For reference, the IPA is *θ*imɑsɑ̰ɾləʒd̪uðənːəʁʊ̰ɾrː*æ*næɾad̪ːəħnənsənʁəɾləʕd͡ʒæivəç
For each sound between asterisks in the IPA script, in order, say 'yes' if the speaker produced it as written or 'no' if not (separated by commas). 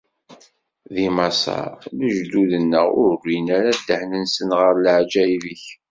no, no